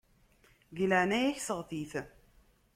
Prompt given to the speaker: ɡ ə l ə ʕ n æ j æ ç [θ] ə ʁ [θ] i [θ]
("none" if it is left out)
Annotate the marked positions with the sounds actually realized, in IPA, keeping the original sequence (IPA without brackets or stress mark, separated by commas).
s, θ, θ